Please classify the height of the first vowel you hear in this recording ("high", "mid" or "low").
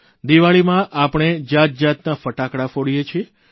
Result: high